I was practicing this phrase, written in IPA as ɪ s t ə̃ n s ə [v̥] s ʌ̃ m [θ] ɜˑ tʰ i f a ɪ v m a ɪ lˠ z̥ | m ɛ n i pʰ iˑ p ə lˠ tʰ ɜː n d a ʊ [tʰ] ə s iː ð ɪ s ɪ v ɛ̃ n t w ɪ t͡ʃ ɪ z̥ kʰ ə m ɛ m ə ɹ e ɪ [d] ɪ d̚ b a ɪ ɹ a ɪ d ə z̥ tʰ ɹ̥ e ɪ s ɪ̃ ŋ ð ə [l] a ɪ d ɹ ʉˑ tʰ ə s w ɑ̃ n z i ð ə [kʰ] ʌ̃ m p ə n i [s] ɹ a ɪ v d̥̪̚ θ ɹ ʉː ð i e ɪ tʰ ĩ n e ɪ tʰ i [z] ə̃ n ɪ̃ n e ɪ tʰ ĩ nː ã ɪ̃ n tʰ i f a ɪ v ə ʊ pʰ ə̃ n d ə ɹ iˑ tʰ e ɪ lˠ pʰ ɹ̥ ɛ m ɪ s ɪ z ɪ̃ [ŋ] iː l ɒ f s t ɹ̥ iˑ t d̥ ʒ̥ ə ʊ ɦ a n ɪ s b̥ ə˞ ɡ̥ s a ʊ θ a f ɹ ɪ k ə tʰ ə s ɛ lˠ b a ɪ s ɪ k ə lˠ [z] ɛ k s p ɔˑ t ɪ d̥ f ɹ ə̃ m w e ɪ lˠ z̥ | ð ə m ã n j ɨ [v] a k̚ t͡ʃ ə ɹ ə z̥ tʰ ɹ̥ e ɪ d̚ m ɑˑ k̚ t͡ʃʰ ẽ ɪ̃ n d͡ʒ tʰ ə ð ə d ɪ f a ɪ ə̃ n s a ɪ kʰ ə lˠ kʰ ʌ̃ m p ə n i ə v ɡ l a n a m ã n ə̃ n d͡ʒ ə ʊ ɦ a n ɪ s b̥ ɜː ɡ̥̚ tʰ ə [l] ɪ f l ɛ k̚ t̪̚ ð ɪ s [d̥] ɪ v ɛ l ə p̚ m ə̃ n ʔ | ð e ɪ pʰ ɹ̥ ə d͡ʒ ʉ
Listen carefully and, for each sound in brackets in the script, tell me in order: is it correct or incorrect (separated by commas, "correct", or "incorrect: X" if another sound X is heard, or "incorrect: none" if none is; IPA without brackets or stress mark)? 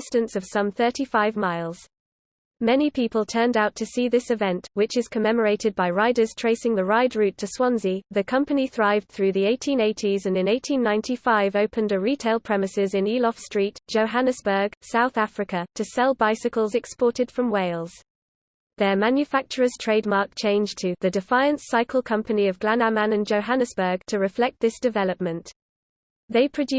correct, correct, correct, incorrect: t, incorrect: ɹ, correct, incorrect: θ, correct, incorrect: n, correct, incorrect: f, incorrect: ɹ, correct